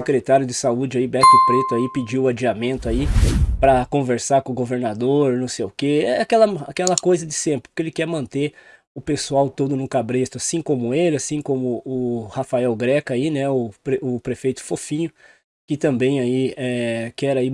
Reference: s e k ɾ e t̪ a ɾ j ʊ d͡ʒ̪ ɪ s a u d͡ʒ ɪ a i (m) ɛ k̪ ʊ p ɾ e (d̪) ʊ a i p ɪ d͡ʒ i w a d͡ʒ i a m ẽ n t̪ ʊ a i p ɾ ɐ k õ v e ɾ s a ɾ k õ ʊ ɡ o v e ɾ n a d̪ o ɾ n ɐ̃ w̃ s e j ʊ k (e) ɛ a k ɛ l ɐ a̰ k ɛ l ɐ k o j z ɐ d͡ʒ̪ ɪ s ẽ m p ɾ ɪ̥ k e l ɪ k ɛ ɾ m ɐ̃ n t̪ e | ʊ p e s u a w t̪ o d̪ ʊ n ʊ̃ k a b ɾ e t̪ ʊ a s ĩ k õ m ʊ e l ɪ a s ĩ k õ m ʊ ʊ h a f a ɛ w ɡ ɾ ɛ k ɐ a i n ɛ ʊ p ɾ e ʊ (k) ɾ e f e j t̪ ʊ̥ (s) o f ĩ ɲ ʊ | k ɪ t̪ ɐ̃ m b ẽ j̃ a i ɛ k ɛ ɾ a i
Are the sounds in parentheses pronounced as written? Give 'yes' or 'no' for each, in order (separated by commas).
no, no, yes, no, no